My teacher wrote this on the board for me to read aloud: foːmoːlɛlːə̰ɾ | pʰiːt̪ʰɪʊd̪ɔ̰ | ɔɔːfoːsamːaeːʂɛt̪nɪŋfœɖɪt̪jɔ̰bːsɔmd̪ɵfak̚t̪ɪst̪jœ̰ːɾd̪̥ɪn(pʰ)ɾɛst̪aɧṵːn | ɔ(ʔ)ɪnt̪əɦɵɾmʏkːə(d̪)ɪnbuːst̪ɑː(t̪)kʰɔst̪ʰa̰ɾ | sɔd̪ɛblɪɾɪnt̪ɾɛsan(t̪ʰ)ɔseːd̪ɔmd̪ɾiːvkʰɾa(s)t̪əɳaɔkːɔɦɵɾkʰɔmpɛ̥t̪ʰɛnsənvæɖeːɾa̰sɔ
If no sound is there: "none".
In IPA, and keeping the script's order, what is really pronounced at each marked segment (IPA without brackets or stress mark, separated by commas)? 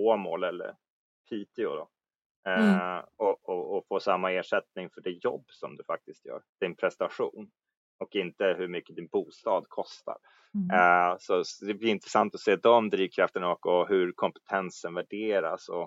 pʰ, k, d̪, d̪, t̪, f